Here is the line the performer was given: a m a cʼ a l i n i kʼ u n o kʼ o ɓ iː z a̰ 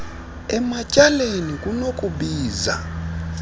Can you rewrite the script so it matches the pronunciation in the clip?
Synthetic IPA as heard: ɛ m a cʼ a l e n i kʼ u n o kʼ u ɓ iː z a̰